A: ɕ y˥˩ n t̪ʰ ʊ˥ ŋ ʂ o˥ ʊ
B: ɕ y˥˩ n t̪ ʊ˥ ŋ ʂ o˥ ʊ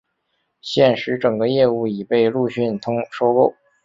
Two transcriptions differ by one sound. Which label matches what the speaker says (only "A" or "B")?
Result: A